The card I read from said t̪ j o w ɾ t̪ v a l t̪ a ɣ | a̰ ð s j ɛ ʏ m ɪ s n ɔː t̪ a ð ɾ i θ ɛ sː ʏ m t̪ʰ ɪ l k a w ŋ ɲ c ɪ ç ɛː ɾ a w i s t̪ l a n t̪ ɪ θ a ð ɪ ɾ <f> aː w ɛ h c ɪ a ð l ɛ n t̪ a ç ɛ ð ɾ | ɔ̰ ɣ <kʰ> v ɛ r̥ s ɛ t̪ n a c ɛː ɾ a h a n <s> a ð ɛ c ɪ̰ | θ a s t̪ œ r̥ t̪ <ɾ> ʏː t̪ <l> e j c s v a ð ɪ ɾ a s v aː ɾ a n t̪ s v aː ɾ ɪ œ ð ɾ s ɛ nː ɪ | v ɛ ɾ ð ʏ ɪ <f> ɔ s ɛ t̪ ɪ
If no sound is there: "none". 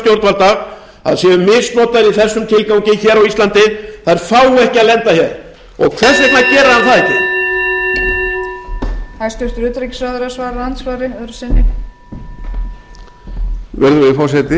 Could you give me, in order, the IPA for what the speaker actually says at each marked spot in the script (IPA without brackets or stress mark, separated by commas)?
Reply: f, kʰ, θ, ɾ, ɾ, f